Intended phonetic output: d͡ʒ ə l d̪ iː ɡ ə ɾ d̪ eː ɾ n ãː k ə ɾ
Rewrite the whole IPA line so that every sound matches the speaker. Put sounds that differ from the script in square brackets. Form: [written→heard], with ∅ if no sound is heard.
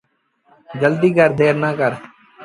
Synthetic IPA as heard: d͡ʒ ə l d̪ iː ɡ ə ɾ d̪ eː ɾ n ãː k ə ɾ